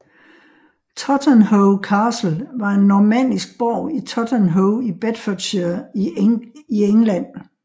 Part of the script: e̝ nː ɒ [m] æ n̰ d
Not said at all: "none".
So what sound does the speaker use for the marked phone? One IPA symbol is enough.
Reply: m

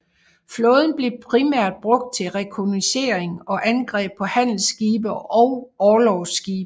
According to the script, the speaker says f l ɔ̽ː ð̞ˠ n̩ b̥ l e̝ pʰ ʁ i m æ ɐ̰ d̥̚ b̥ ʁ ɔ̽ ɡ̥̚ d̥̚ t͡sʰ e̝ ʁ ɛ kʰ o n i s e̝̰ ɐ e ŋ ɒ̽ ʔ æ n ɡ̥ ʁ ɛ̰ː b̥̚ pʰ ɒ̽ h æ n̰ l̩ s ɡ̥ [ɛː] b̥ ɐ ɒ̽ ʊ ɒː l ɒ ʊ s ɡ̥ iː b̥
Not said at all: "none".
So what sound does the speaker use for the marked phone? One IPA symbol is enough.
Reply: iː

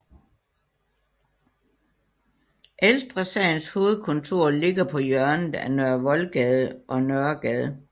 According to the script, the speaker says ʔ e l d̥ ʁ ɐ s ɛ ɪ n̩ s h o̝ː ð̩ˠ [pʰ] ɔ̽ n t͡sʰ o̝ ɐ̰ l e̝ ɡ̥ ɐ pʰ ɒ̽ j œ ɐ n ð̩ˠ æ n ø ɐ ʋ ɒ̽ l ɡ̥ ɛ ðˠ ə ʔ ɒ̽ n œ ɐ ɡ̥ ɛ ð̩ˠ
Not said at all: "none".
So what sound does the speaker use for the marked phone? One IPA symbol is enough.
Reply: kʰ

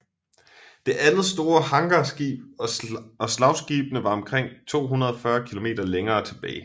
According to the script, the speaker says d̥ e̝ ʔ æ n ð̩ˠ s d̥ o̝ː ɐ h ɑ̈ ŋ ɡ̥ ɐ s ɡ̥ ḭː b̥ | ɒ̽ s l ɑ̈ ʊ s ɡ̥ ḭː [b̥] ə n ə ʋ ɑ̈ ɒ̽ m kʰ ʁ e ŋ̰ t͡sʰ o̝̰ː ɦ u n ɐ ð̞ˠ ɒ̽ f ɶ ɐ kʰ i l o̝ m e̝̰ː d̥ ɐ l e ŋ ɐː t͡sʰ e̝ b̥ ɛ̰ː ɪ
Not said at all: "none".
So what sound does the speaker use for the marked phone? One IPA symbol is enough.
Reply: b̥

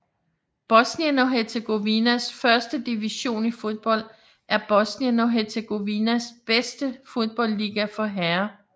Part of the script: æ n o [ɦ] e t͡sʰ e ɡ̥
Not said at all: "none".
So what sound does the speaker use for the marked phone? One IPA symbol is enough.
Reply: ɦ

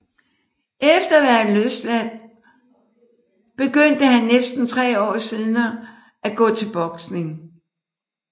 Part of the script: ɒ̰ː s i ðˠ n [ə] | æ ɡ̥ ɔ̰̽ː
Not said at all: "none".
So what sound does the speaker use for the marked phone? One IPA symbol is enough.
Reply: ɐ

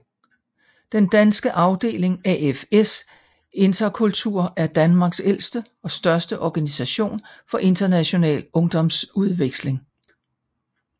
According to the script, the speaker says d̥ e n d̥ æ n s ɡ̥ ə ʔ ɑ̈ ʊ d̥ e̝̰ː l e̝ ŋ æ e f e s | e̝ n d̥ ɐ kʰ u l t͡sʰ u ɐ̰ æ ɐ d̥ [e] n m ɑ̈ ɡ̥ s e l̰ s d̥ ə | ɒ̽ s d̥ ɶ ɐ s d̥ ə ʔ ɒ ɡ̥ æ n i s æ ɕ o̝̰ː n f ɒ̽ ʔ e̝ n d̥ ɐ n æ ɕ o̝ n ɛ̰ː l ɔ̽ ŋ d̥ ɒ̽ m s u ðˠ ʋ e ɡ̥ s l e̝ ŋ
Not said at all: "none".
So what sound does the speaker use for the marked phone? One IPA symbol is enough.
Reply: æ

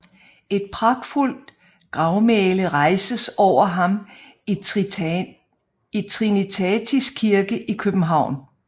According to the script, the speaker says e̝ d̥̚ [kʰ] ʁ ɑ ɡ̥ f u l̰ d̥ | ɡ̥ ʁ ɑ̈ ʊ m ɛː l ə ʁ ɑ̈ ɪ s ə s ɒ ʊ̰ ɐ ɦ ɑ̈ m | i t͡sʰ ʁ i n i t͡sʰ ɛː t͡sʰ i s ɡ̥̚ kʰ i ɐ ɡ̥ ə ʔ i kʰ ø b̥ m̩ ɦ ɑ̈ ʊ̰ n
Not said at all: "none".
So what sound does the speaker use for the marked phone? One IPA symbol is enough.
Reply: pʰ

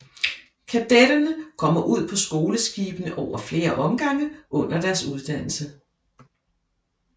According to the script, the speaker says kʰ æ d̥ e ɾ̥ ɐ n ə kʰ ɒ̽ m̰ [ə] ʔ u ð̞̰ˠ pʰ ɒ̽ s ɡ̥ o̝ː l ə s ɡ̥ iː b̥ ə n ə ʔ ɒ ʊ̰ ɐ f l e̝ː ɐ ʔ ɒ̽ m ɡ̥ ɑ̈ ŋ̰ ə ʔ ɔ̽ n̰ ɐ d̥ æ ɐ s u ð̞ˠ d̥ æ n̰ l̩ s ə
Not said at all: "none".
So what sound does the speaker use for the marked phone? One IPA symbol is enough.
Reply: ɐ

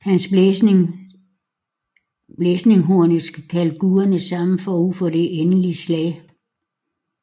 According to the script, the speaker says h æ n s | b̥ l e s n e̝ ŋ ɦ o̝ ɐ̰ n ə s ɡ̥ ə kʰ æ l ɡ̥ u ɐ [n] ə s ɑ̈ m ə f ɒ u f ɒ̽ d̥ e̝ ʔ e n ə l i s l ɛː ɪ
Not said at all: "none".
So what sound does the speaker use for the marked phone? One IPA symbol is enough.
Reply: n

